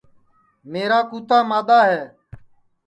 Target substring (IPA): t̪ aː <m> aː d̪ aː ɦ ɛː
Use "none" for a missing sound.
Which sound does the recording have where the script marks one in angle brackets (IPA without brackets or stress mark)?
m